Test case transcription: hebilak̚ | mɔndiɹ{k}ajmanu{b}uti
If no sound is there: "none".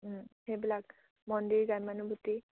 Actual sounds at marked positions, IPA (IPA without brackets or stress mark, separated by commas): ɡ, b